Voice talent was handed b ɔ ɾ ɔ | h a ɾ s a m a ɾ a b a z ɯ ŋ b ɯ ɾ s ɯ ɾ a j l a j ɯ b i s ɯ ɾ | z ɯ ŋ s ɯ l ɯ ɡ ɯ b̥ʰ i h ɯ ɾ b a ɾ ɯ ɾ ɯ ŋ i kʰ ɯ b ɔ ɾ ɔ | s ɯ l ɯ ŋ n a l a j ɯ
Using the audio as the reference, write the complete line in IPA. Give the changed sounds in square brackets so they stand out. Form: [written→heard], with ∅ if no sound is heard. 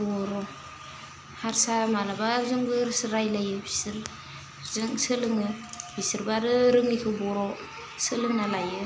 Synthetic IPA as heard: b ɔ ɾ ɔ | h a ɾ s a m a [ɾ→l] a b a z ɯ ŋ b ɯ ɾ s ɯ ɾ a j l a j ɯ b i s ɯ ɾ | z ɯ ŋ s ɯ l ɯ [ɡ→ŋ] ɯ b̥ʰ i [h→s] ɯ ɾ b a ɾ ɯ ɾ ɯ ŋ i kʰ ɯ b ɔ ɾ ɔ | s ɯ l ɯ ŋ n a l a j ɯ